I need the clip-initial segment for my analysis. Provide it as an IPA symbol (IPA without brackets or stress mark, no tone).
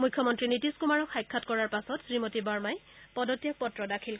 m